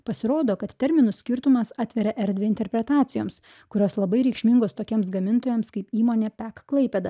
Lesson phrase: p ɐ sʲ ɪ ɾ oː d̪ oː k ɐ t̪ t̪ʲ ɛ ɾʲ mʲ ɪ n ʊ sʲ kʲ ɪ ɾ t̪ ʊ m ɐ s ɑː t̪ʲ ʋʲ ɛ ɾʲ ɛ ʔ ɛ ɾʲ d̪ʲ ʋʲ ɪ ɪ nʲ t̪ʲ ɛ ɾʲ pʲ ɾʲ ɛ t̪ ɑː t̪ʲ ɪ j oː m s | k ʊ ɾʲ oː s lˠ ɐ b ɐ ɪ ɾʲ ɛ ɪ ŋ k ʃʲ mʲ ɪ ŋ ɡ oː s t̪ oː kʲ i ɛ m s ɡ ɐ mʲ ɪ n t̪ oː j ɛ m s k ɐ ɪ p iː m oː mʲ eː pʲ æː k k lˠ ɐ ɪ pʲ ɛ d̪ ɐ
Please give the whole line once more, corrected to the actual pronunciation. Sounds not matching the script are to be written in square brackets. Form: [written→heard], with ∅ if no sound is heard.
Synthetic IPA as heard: p ɐ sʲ ɪ ɾ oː d̪ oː k ɐ t̪ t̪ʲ ɛ ɾʲ mʲ ɪ n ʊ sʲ kʲ ɪ ɾ t̪ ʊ m ɐ s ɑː t̪ʲ ʋʲ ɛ ɾʲ ɛ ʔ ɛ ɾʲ d̪ʲ ʋʲ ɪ ɪ nʲ t̪ʲ ɛ ɾʲ pʲ ɾʲ ɛ t̪ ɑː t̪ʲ ɪ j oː m s | k ʊ ɾʲ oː s lˠ ɐ b ɐ ɪ ɾʲ ɛ ɪ [ŋ→∅] k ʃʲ mʲ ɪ ŋ ɡ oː s t̪ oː kʲ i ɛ m s ɡ ɐ mʲ ɪ n t̪ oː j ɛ m s k ɐ ɪ p iː m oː [mʲ→nʲ] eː pʲ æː k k lˠ ɐ ɪ pʲ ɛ d̪ ɐ